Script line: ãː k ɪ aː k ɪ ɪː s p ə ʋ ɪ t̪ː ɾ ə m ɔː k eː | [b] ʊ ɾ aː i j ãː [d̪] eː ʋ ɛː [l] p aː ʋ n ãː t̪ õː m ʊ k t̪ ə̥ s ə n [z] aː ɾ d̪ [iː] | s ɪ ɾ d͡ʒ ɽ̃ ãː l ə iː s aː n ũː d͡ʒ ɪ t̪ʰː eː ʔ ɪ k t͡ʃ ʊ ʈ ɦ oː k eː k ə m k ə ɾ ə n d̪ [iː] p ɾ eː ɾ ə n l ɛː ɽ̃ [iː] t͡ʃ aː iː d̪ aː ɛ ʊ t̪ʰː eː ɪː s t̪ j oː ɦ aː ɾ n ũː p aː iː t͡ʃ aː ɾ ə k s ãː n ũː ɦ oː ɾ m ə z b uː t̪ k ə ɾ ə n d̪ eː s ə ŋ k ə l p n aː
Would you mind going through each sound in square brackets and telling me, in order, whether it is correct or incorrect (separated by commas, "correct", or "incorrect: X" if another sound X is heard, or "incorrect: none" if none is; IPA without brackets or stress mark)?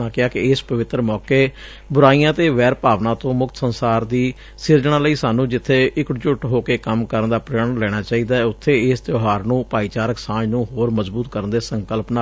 correct, incorrect: t̪, incorrect: ɾ, incorrect: s, correct, incorrect: aː, incorrect: aː